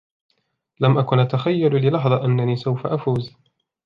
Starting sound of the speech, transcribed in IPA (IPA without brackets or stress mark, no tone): l